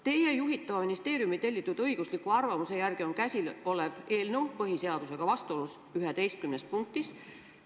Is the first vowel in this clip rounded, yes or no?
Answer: no